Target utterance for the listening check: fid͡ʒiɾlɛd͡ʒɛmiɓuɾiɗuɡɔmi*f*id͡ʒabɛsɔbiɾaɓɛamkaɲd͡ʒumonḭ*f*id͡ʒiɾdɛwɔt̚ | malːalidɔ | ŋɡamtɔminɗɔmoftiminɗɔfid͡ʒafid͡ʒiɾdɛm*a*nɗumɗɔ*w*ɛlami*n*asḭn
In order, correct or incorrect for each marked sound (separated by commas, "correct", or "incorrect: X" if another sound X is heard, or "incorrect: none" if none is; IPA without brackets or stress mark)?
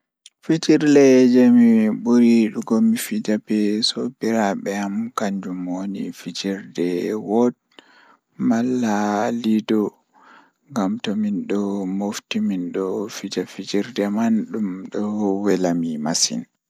correct, correct, correct, correct, incorrect: m